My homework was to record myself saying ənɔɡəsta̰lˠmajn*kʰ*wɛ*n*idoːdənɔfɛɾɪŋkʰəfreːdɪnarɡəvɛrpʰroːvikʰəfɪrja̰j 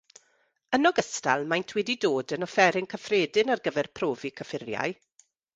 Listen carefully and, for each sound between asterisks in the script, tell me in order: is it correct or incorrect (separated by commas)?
incorrect, incorrect